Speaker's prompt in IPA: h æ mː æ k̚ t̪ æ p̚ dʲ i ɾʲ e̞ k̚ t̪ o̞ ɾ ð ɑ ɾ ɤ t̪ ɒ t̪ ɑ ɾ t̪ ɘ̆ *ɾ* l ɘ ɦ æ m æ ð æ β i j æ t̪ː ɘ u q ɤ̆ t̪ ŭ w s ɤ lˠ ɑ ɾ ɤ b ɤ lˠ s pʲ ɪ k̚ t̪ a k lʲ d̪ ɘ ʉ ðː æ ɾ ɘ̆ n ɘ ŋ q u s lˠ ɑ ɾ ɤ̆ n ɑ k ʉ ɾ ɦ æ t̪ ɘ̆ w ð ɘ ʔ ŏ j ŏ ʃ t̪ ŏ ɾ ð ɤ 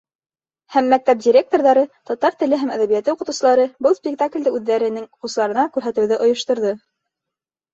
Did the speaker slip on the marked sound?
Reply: yes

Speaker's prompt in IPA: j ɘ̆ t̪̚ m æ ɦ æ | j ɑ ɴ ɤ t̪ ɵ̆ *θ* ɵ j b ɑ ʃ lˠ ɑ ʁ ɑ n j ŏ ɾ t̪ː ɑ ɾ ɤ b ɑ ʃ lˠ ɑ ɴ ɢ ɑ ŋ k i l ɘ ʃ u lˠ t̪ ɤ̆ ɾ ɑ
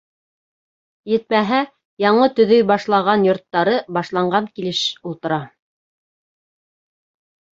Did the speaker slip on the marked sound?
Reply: yes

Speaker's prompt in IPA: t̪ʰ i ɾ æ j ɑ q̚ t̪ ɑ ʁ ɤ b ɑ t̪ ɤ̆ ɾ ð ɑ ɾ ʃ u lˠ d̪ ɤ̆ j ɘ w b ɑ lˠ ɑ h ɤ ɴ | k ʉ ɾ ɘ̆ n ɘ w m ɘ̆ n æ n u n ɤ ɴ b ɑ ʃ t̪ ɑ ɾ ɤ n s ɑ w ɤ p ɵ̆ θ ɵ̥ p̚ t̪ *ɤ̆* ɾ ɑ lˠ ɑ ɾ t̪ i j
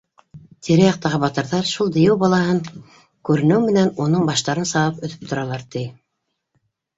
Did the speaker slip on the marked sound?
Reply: yes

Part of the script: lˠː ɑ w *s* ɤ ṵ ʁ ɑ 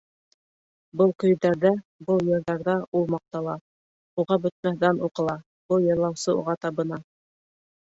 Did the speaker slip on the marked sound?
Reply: no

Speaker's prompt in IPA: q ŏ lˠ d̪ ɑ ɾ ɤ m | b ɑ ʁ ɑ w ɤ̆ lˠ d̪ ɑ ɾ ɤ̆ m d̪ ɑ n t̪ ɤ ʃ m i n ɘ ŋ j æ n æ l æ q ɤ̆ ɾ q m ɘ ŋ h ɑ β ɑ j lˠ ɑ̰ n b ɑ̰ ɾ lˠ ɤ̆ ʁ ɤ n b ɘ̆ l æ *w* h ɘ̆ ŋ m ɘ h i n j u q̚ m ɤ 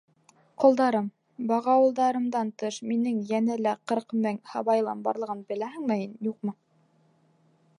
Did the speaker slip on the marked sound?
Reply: yes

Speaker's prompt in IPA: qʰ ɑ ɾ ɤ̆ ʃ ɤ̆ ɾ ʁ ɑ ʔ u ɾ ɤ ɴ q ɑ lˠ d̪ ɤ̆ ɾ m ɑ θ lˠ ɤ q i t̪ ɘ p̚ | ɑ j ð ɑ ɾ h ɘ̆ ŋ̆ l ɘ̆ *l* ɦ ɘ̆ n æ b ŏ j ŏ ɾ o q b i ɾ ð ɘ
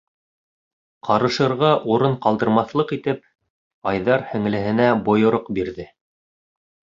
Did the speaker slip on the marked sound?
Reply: yes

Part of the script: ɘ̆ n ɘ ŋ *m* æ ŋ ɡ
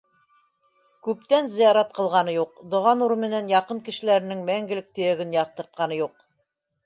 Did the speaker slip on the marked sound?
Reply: no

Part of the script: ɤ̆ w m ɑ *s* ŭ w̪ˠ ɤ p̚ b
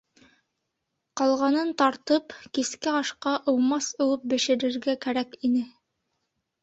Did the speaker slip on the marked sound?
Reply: no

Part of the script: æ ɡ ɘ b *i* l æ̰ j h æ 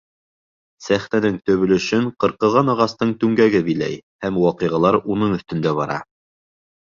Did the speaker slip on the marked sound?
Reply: no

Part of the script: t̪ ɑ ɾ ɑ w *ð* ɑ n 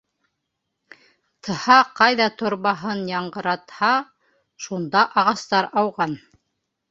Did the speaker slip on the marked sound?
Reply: yes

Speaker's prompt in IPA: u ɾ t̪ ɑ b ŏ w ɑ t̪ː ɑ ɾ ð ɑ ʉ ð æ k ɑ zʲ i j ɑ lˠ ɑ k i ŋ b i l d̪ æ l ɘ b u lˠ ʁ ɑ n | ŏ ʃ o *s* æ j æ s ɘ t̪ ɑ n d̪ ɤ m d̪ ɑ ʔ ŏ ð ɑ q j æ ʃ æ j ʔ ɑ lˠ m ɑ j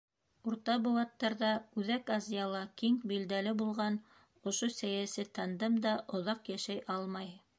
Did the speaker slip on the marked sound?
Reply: no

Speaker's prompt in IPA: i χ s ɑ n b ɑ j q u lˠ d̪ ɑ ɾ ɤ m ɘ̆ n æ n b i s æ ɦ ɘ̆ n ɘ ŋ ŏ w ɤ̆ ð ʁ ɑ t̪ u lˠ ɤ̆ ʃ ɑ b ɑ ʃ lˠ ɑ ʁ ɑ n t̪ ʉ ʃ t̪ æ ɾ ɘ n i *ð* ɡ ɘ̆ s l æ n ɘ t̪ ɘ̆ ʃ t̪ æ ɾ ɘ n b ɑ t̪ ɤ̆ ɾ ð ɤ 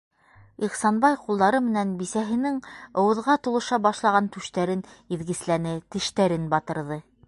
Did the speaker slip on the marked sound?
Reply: no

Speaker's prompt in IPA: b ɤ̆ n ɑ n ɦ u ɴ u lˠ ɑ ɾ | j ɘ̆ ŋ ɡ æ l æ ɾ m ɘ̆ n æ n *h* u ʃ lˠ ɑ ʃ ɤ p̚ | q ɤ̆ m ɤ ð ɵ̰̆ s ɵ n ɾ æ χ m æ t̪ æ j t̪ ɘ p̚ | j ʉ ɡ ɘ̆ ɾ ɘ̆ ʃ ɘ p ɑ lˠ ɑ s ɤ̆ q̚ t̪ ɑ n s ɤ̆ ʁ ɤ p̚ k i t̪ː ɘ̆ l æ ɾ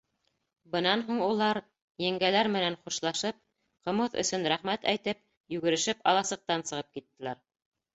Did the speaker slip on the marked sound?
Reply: yes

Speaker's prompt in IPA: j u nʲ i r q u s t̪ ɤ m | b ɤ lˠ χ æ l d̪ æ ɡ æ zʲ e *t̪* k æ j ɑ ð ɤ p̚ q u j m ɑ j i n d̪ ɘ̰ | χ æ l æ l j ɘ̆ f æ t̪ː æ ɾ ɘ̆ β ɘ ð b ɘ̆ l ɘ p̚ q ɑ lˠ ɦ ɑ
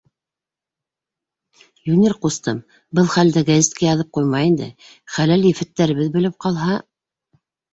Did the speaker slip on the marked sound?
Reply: no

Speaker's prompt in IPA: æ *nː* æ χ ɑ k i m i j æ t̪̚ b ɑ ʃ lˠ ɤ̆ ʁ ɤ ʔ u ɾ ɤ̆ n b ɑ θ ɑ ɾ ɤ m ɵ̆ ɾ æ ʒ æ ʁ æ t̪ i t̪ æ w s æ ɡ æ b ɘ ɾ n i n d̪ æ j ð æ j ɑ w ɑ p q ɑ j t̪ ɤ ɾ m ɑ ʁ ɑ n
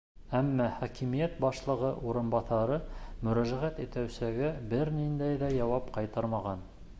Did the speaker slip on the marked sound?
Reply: yes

